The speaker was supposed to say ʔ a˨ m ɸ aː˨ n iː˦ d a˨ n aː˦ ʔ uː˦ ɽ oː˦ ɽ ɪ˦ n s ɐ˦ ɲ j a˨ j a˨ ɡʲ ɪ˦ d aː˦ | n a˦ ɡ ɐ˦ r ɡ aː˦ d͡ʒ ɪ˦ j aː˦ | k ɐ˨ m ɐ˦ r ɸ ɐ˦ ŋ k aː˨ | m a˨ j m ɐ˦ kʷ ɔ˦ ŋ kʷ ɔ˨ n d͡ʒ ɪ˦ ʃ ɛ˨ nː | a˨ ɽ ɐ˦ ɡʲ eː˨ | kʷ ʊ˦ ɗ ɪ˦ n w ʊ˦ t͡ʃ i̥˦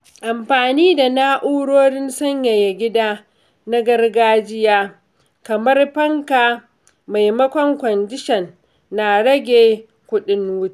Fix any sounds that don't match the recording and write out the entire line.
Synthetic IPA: ʔ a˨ m ɸ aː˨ n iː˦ d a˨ n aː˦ ʔ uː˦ ɽ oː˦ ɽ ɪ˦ n s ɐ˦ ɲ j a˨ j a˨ ɡʲ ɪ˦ d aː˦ | n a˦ ɡ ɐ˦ r ɡ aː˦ d͡ʒ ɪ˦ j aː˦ | k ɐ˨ m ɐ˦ r ɸ ɐ˦ ŋ k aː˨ | m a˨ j m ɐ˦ kʷ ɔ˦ ŋ kʷ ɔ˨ n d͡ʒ ɪ˦ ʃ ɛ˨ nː | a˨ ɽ ɐ˦ ɡʲ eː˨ | kʷ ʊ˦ ɗ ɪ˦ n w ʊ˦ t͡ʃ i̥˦

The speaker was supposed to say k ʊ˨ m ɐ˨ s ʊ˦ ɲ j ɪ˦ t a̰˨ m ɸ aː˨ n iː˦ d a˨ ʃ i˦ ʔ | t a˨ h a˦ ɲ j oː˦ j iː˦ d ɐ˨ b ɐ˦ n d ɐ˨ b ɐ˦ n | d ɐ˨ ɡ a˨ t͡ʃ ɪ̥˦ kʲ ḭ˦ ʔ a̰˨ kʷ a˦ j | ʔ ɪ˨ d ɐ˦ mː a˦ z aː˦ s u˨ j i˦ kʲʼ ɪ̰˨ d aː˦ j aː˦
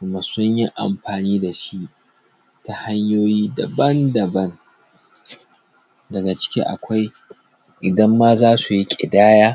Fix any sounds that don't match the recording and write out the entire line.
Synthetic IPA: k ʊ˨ m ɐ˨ s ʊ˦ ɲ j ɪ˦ ʔ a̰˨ m ɸ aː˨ n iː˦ d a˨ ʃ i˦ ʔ | t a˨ h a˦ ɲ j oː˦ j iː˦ d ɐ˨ b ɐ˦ n d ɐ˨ b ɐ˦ n | d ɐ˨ ɡ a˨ t͡ʃ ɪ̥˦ kʲ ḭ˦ ʔ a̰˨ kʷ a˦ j | ʔ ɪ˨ d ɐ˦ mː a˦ z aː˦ s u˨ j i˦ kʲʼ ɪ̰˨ d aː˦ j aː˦

